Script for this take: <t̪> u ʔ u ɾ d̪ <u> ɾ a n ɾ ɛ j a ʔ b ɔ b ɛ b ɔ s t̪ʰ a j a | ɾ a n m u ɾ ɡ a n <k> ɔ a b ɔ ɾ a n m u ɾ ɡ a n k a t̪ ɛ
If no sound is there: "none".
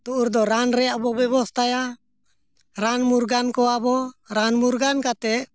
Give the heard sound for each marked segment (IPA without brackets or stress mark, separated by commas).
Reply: t̪, ɔ, k